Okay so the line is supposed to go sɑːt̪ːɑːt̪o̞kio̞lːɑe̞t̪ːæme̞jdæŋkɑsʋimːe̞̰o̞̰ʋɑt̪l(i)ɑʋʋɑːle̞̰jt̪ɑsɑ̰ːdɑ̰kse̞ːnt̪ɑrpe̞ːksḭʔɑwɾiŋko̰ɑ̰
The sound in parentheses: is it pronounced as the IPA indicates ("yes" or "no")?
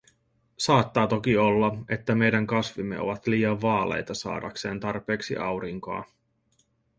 no